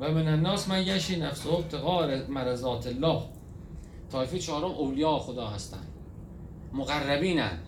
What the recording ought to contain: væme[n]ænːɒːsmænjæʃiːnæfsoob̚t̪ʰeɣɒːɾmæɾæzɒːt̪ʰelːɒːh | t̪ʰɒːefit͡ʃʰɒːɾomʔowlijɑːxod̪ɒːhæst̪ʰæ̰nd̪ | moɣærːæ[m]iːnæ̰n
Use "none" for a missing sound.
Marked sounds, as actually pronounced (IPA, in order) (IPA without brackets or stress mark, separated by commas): n, b